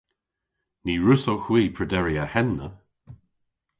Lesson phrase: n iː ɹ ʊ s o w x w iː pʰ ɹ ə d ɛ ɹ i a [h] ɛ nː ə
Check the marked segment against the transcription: correct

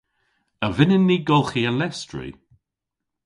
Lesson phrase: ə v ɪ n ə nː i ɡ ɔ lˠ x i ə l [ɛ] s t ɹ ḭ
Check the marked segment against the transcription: correct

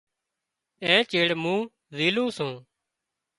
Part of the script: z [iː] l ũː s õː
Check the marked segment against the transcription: correct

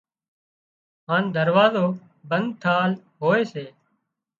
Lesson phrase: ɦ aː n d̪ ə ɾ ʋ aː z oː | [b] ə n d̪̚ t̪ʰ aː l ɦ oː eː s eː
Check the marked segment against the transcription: correct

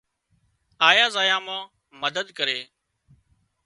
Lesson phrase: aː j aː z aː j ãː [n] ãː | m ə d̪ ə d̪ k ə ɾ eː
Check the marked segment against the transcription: incorrect: m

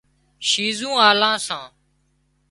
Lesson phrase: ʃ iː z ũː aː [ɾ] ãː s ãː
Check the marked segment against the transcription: incorrect: l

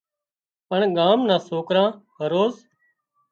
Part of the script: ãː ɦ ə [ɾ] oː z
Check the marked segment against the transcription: correct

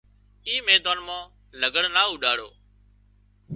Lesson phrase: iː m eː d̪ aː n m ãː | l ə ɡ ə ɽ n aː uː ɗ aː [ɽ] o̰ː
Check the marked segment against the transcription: correct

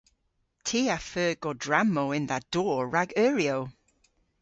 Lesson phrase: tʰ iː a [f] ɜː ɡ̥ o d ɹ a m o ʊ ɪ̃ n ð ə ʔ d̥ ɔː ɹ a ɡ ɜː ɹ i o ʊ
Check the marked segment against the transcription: correct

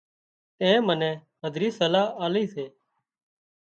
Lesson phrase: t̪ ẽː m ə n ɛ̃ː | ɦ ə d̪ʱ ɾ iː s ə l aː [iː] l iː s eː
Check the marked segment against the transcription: incorrect: aː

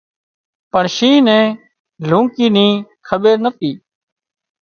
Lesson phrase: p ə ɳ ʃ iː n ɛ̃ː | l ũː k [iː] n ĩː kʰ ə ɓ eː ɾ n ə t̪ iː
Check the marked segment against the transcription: correct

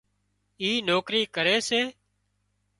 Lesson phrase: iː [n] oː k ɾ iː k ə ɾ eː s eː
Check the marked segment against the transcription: correct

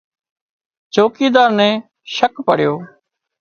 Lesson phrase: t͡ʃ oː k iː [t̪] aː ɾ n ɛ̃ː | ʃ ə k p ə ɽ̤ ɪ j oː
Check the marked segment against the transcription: incorrect: d̪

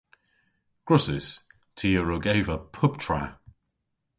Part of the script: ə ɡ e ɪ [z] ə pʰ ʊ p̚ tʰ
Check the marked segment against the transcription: incorrect: v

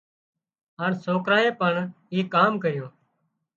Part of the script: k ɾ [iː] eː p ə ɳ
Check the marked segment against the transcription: incorrect: aː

